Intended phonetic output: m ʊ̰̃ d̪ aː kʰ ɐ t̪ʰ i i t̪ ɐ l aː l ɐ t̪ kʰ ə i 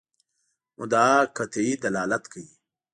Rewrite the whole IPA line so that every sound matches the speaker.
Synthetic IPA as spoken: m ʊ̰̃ d̪ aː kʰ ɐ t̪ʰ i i d̪ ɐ l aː l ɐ t̪ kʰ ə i